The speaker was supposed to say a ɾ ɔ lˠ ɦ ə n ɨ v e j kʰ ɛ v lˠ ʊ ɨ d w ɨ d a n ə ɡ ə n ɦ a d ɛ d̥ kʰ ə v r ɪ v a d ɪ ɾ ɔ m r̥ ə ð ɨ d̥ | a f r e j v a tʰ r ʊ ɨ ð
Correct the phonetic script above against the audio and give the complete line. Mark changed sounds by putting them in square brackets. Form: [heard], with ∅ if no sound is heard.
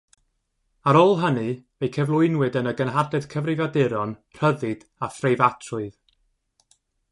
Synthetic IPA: a ɾ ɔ lˠ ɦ ə n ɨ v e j kʰ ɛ v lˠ ʊ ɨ [n] w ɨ d [ə] n ə ɡ ə n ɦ a d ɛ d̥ kʰ ə v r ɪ v a d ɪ ɾ ɔ [n] r̥ ə ð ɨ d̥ | a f r e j v a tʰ r ʊ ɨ ð